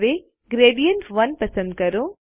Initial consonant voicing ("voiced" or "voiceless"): voiced